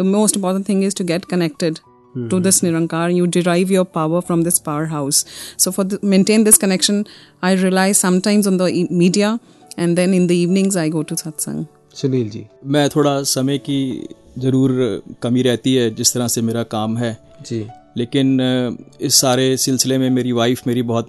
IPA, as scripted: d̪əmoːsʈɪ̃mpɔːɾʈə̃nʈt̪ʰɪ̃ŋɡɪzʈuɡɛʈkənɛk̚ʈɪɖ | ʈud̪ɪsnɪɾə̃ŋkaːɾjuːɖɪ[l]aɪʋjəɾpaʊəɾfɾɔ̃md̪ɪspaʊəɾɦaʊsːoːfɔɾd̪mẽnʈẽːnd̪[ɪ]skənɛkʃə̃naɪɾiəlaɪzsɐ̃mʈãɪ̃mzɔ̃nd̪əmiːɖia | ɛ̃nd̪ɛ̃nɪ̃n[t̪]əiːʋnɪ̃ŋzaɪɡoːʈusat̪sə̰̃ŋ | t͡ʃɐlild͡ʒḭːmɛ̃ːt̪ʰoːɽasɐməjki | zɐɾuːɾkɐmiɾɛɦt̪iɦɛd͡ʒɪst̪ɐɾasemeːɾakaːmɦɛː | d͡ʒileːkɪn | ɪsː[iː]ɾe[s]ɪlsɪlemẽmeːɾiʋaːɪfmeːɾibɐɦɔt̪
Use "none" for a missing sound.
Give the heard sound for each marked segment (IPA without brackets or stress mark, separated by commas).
ɾ, ɪ, d̪, aː, s